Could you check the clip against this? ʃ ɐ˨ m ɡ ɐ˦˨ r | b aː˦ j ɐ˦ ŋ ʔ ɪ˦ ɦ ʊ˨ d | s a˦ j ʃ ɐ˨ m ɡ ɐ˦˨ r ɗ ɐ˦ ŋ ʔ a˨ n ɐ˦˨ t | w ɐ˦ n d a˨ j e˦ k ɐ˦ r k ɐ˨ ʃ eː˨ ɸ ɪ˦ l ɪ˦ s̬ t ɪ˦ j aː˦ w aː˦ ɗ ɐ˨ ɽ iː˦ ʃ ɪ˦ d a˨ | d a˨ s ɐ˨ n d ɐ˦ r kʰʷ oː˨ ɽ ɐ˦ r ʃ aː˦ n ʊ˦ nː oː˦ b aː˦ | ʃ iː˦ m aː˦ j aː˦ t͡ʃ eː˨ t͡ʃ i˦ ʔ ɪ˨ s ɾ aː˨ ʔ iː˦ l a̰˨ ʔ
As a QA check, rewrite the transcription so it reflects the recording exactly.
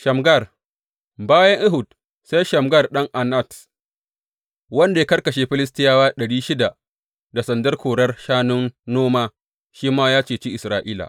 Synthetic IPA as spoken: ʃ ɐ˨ m ɡ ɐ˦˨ r | b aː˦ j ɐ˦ ŋ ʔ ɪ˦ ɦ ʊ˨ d | s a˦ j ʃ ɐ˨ m ɡ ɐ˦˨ r ɗ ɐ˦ ŋ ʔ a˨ n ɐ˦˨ t | w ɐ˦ n d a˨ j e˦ k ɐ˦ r k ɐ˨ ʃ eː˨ ɸ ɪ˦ l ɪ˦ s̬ t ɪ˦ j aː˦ w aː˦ ɗ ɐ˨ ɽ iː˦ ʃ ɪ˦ d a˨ | d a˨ s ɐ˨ n d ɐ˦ r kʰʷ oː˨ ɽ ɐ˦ r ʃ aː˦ n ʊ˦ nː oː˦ m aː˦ | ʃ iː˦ m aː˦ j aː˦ t͡ʃ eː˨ t͡ʃ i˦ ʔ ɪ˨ s ɾ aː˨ ʔ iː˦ l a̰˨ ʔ